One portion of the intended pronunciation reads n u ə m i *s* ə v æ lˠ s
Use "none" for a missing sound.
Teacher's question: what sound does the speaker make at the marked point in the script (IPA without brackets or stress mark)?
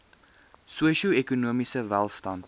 s